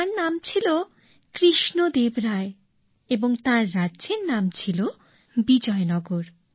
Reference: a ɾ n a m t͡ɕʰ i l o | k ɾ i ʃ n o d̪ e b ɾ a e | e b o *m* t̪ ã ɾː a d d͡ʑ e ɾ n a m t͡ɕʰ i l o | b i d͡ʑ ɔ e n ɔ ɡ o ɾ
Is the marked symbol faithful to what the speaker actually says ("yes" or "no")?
no